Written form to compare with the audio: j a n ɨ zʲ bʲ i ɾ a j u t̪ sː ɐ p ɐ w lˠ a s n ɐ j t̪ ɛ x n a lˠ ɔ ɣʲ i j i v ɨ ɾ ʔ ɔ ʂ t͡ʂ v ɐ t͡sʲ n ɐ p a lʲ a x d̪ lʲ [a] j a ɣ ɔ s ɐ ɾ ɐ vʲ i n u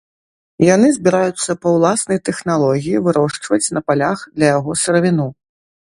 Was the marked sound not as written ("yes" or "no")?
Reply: yes